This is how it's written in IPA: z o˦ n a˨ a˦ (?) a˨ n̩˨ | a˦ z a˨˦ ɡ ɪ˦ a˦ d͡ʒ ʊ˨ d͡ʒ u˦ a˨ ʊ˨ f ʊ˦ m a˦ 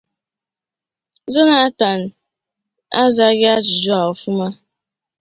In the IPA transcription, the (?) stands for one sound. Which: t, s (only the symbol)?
t